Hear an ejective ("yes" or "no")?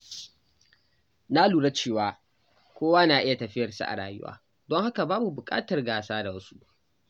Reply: yes